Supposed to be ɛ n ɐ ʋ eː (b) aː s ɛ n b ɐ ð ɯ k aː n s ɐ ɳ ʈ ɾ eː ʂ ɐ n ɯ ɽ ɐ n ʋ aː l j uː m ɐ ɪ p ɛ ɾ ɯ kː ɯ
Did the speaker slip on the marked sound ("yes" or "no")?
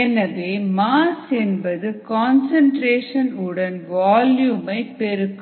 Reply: yes